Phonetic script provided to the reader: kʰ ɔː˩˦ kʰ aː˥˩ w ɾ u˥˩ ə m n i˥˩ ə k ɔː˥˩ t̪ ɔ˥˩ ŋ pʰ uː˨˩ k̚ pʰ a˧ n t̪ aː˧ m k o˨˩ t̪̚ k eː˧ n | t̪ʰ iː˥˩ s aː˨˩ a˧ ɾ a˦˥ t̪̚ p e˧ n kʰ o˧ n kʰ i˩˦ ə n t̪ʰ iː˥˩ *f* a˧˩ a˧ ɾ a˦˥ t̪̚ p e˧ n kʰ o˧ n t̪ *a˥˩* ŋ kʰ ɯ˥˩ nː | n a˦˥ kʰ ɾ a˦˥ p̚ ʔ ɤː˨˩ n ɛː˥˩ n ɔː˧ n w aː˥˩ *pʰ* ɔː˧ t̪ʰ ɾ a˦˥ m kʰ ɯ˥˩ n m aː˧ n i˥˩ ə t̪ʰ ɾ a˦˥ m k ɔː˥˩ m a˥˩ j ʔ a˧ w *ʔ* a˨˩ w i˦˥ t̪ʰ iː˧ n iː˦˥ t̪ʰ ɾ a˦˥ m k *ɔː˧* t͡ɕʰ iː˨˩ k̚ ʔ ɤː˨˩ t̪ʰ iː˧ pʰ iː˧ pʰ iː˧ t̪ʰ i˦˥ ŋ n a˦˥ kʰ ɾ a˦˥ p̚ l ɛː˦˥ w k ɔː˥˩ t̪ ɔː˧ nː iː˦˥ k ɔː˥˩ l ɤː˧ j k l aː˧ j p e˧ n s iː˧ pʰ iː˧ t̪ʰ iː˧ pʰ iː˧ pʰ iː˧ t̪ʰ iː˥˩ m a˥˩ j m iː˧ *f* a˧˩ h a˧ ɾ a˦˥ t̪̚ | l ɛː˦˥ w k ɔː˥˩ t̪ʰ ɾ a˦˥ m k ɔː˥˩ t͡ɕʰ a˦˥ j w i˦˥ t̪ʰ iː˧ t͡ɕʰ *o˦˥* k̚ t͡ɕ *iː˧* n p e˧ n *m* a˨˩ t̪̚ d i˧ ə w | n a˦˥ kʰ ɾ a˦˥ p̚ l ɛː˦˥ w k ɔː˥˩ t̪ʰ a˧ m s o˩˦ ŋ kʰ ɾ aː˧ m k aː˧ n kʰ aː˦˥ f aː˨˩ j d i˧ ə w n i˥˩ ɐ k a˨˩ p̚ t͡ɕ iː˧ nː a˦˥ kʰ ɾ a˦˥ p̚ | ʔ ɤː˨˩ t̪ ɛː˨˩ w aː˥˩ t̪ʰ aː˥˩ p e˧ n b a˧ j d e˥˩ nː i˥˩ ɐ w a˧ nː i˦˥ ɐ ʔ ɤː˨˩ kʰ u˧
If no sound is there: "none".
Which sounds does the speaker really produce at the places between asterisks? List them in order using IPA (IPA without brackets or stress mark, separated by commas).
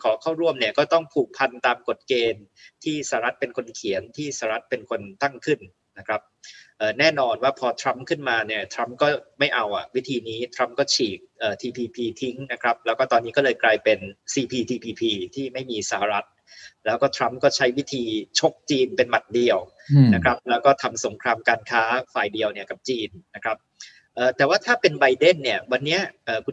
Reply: s, a˥˩, pʰ, ʔ, ɔː˥˩, s, o˦˥, iː˧, m